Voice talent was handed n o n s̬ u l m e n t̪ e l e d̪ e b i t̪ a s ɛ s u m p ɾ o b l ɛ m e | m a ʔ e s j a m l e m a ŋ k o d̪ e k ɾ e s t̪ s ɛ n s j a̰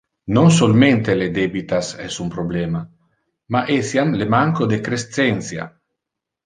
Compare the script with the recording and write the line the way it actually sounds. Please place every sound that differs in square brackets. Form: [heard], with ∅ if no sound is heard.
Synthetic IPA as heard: n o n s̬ [o] l m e n t̪ e l e d̪ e b i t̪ a s ɛ s u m p ɾ o b l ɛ m [a] | m a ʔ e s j a m l e m a ŋ k o d̪ e k ɾ e s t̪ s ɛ n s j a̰